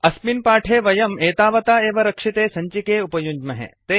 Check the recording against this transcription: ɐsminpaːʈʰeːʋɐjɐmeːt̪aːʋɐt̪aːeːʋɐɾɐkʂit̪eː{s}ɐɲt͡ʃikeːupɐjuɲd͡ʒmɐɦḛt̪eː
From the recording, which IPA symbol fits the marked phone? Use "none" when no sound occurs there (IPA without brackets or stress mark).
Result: s